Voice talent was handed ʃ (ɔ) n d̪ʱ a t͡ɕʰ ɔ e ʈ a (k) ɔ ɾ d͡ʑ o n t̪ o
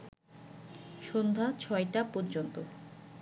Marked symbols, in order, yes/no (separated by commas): no, no